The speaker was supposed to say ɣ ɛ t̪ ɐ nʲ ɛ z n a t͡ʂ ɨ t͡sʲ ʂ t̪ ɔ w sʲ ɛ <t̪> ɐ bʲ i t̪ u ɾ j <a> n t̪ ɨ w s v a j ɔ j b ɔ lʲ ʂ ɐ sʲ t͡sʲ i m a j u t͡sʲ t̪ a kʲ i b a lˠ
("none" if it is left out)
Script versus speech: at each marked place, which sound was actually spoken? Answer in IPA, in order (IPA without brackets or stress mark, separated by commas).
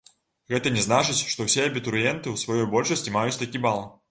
none, ɛ